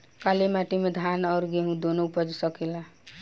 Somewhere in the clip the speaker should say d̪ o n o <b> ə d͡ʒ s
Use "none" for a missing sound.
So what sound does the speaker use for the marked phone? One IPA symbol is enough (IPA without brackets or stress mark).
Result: p